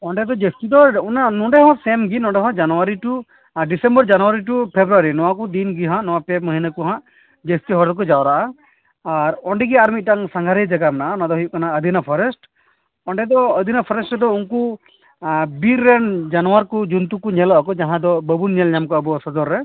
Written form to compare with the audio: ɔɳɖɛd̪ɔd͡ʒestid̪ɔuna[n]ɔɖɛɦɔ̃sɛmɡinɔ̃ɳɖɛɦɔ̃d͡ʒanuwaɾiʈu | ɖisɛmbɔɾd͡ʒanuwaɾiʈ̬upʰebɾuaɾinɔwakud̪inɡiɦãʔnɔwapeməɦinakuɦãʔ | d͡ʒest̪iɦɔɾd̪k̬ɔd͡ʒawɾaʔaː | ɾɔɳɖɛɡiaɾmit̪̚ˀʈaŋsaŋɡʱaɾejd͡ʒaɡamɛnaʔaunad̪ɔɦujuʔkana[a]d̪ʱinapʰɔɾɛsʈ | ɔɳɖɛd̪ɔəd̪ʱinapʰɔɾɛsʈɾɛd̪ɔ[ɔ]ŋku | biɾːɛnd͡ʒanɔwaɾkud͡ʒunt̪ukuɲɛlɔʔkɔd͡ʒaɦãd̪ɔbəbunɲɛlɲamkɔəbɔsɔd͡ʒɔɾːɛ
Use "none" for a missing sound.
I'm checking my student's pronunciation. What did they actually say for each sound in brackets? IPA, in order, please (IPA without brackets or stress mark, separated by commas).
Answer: n, ə, u